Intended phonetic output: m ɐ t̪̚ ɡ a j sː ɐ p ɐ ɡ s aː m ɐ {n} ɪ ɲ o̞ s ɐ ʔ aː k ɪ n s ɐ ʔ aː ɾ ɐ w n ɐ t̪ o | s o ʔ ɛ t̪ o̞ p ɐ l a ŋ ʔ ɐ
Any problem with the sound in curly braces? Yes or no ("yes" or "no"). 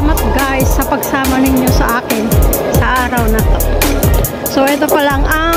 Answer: no